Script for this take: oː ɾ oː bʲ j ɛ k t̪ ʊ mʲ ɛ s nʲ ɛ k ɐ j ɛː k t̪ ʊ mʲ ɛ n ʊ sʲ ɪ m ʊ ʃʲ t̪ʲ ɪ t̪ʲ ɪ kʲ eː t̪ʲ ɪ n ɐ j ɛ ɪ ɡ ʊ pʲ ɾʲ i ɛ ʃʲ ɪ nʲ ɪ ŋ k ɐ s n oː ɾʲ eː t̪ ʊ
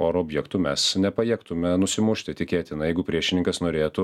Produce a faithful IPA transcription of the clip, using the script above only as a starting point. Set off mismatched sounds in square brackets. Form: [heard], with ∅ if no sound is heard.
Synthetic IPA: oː ɾ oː bʲ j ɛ k t̪ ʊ mʲ ɛ s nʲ ɛ [p] ɐ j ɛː k t̪ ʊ mʲ ɛ n ʊ sʲ ɪ m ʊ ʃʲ t̪ʲ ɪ t̪ʲ ɪ kʲ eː t̪ʲ ɪ n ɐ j ɛ ɪ ɡ ʊ pʲ ɾʲ i ɛ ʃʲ ɪ nʲ ɪ ŋ k ɐ s n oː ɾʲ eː t̪ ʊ